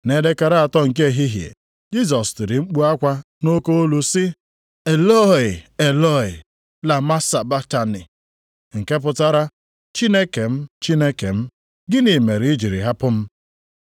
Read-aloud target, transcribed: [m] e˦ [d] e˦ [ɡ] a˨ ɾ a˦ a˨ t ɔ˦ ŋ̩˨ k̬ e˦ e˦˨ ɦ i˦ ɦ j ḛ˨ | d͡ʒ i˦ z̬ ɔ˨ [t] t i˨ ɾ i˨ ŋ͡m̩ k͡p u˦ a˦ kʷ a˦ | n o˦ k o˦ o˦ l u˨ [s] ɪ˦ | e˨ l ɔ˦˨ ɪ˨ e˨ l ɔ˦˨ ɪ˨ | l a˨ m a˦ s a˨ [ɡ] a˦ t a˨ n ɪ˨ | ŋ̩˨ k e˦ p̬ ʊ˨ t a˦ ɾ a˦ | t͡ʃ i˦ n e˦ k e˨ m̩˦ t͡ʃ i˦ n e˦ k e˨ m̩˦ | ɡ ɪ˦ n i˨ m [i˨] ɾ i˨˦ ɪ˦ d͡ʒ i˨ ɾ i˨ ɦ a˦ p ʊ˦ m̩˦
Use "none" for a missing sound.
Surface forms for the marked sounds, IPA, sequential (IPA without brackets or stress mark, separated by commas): n, d, k, s, s, b, e˨